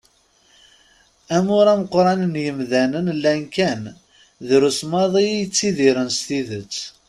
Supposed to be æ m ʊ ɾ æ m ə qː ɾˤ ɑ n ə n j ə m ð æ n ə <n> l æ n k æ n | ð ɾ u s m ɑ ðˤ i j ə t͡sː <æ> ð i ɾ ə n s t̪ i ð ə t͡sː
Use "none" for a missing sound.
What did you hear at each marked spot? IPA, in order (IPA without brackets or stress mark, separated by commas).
n, i